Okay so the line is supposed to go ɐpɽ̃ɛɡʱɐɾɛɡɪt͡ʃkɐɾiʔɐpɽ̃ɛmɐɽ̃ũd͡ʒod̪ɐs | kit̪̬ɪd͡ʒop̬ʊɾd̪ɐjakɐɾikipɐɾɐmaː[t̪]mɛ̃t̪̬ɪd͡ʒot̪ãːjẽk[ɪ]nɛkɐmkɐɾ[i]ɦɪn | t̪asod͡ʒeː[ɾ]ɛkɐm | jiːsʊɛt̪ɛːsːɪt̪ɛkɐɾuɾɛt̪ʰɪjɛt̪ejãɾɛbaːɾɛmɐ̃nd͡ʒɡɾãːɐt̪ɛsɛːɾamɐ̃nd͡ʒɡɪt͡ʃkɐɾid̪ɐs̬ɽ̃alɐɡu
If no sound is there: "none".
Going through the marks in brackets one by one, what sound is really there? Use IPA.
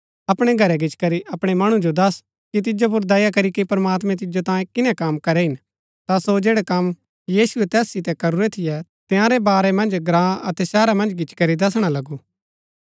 t̪, ɪ, ɛ, ɽ

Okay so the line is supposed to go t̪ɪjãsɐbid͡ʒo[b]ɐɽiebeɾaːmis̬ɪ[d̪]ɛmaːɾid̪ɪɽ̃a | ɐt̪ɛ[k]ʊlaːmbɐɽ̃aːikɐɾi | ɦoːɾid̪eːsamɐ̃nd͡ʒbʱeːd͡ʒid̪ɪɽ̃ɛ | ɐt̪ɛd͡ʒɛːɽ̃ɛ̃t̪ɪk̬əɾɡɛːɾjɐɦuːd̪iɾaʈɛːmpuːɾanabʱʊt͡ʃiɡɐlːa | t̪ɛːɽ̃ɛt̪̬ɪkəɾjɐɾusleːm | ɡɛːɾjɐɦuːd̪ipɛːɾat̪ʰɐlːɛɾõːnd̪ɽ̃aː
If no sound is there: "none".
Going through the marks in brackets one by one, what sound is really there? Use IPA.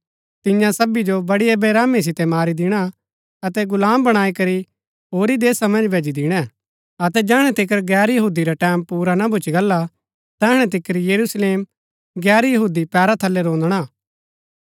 b, t̪, ɡ

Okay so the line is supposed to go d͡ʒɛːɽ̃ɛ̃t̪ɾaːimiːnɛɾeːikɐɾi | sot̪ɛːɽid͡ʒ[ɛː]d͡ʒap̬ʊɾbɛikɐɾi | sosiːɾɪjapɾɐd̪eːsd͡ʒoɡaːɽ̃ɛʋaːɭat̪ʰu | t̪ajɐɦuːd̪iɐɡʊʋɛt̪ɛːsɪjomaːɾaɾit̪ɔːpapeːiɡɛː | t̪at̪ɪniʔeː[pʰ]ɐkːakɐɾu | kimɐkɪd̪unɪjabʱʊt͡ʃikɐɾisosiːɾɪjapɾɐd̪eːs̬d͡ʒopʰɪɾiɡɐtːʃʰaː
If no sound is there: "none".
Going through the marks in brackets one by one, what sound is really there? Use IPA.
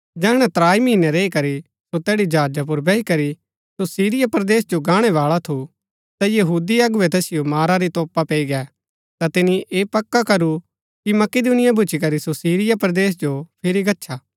aː, p

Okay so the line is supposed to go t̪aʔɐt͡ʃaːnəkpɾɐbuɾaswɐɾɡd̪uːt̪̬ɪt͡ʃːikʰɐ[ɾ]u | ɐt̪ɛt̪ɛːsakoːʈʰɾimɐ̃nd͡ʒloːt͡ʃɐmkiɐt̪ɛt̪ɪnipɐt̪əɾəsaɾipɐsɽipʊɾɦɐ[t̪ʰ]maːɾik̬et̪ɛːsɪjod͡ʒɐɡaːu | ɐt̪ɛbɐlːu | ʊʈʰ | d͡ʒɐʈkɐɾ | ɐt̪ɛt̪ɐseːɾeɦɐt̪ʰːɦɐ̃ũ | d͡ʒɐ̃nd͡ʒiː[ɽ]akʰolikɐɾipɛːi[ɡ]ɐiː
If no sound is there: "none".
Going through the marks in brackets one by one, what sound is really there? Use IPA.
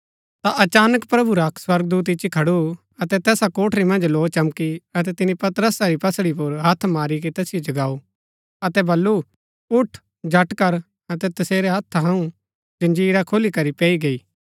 ɽ, t̪ʰ, ɾ, ɡ

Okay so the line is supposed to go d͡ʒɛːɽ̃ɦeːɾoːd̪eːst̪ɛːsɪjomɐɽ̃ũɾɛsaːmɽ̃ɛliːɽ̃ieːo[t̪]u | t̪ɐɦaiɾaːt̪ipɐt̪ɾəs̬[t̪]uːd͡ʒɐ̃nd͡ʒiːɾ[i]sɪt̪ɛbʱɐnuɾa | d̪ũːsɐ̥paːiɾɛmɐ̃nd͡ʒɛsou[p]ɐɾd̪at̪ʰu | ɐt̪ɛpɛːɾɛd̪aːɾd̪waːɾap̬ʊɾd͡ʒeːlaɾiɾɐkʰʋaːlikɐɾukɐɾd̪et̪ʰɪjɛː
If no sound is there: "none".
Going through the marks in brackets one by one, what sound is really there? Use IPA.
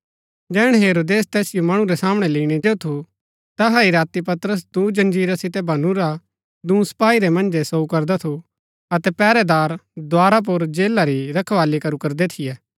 t̪ʰ, d̪, a, k

